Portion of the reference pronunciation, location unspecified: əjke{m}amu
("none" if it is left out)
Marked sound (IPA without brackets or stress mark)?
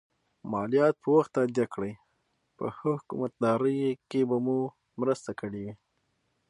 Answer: b